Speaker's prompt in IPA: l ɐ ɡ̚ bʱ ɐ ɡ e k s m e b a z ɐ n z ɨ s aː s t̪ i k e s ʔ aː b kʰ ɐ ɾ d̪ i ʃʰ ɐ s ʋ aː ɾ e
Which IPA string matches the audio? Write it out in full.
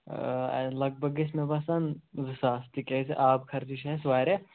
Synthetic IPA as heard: l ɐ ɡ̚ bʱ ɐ ɡ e s m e b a s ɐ n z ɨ s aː s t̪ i k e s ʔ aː b kʰ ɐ ɾ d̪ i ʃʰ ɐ s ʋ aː ɾ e